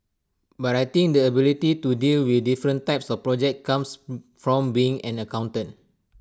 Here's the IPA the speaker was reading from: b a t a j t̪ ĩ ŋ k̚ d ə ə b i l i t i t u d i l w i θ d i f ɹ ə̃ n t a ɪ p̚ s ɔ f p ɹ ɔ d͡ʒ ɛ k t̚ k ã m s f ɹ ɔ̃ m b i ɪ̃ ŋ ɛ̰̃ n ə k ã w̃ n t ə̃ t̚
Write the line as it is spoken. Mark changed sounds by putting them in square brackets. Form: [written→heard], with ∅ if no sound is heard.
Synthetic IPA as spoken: b a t a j t̪ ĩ ŋ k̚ d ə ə b i l i t i t u d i l w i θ d i f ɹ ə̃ n t a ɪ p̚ s ɔ f p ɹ ɔ d͡ʒ ɛ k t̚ k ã m s f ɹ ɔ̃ m b i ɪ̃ ŋ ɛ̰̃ n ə k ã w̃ n t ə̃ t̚

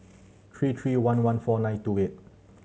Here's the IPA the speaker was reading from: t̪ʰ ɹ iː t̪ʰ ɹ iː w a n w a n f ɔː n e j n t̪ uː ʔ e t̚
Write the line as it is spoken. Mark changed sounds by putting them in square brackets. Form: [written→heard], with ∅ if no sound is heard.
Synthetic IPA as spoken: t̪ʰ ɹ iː t̪ʰ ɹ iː w a n w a n f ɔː n [e→a] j n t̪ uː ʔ e t̚

